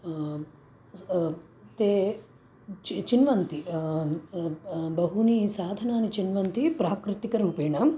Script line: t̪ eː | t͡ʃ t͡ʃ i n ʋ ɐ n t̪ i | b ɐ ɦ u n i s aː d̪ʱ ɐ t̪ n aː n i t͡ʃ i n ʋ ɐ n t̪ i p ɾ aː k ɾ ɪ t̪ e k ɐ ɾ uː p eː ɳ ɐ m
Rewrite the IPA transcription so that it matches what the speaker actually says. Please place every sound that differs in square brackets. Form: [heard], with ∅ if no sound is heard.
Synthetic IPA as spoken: t̪ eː | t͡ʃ t͡ʃ i n ʋ ɐ n t̪ i | b ɐ ɦ u n i s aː d̪ʱ ɐ [∅] n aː n i t͡ʃ i n ʋ ɐ n t̪ i p ɾ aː k ɾ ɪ t̪ [i] k ɐ ɾ uː p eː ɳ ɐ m